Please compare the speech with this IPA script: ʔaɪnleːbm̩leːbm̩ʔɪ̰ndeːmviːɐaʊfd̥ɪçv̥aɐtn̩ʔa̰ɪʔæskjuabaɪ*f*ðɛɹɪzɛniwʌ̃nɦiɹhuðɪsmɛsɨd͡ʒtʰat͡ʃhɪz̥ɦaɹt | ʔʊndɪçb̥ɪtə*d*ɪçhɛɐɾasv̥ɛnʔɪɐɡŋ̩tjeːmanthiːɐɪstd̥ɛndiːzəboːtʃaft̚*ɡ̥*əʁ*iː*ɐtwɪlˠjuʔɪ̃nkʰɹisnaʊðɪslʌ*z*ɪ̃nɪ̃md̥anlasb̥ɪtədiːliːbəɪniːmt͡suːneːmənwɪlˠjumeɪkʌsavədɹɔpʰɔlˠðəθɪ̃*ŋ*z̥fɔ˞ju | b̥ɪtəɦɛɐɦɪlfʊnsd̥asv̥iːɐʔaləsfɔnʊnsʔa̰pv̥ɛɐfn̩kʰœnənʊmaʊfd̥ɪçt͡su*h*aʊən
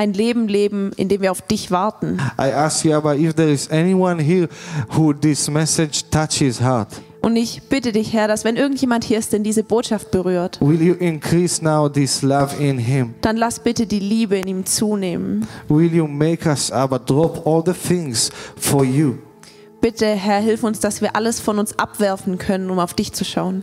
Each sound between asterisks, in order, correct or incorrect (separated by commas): correct, correct, incorrect, incorrect, incorrect, correct, incorrect